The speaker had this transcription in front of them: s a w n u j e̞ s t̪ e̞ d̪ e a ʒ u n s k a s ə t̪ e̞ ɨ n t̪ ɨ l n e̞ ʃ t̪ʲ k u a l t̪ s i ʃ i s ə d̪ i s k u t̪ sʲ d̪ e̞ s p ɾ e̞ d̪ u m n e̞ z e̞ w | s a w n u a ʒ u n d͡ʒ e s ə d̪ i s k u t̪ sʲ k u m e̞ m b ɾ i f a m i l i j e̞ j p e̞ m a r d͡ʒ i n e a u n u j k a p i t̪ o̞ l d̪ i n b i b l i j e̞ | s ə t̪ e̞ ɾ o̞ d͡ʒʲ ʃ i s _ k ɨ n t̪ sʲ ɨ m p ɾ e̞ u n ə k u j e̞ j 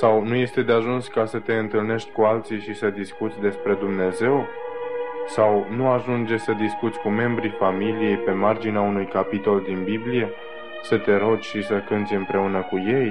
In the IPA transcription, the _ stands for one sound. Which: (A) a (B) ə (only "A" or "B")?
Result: B